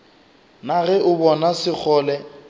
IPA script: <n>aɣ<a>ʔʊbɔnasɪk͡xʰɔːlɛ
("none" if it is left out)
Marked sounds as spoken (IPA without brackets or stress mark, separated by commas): n, ɛ